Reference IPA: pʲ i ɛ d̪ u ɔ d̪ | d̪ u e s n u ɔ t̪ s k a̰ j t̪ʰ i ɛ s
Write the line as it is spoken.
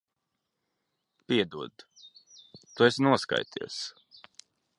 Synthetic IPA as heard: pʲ i ɛ d̪ u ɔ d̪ | t̪ u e s n u ɔ s k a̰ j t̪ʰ i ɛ s

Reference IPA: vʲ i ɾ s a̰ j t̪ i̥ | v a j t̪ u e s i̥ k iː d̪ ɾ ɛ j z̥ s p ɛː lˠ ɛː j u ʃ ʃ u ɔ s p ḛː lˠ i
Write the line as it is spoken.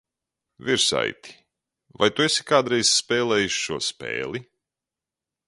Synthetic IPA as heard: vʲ i ɾ s a̰ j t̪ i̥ | v a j t̪ u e s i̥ k aː d̪ ɾ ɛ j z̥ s p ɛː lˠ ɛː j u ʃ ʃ u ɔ s p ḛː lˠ i

